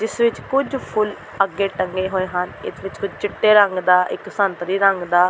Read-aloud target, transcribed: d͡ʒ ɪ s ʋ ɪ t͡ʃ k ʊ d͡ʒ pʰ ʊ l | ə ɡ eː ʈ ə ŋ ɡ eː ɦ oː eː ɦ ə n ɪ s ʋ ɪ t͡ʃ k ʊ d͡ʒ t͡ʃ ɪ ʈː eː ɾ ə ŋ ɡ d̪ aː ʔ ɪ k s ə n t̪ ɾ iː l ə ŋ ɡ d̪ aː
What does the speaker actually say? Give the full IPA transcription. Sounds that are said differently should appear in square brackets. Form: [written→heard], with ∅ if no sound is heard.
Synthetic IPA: d͡ʒ ɪ s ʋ ɪ t͡ʃ k ʊ d͡ʒ pʰ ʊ l | ə ɡ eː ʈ ə ŋ ɡ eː ɦ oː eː ɦ ə n ɪ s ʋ ɪ t͡ʃ k ʊ d͡ʒ t͡ʃ ɪ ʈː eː ɾ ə ŋ ɡ d̪ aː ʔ ɪ k s ə n t̪ ɾ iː [l→ɾ] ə ŋ ɡ d̪ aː